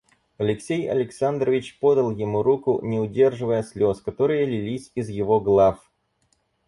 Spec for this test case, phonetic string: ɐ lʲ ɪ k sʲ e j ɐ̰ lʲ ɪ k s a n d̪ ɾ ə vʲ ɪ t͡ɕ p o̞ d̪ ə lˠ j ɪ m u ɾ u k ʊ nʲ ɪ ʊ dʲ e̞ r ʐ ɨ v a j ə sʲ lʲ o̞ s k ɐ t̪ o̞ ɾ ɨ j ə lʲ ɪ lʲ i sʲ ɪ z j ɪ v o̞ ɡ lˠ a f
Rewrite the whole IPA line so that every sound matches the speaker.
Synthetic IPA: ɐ lʲ ɪ k sʲ e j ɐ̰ lʲ ɪ k s a n d̪ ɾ ə vʲ ɪ t͡ɕ p o̞ d̪ ə lˠ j ɪ m u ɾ u k ʊ nʲ ɪ ʊ dʲ e̞ r ʐ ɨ v ə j ə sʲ lʲ o̞ s k ɐ t̪ o̞ ɾ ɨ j ə lʲ ɪ lʲ i sʲ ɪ z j ɪ v o̞ ɡ lˠ a f